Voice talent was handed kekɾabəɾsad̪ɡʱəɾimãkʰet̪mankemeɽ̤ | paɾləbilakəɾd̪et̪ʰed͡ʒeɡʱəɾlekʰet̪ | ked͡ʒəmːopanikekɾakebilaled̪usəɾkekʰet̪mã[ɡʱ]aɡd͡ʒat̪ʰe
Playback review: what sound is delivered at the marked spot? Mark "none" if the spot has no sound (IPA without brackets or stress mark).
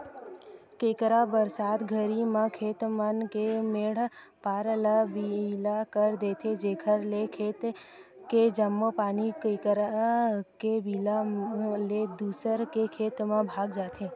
bʱ